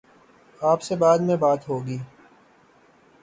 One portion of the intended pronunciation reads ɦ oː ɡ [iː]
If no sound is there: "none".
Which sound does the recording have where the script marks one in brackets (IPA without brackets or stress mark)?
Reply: iː